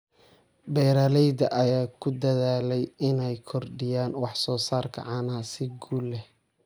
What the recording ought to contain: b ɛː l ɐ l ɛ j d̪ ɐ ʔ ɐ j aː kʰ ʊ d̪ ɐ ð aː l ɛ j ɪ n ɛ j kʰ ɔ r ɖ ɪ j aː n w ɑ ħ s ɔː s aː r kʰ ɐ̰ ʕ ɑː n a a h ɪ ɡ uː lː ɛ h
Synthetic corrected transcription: b ɛː ɾ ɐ l ɛ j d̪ ɐ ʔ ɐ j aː kʰ ʊ d̪ ɐ ð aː l ɛ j ɪ n ɛ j kʰ ɔ r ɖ ɪ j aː n w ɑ ħ s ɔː s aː r kʰ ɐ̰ ʕ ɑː n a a s ɪ ɡ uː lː ɛ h